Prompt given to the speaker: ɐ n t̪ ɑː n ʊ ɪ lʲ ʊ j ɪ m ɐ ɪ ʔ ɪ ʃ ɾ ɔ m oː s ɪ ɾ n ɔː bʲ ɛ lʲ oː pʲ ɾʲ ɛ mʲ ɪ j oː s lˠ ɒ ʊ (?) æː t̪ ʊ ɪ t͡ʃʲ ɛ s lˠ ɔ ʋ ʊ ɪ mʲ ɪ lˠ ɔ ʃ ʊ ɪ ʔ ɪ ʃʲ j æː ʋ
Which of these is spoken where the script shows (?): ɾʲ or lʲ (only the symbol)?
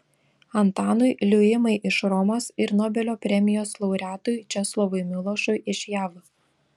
ɾʲ